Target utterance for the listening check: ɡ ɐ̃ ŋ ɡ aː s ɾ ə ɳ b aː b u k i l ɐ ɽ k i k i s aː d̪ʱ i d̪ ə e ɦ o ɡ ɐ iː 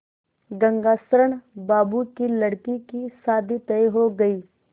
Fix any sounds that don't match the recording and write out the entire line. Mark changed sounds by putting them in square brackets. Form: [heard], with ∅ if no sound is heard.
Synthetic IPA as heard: ɡ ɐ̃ ŋ ɡ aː s ɾ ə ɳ b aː b u k i l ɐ ɽ k i k i s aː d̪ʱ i [t̪] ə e ɦ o ɡ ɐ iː